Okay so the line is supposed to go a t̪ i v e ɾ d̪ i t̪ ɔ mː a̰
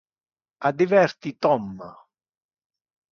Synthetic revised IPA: a d̪ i v ɛ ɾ t̪ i t̪ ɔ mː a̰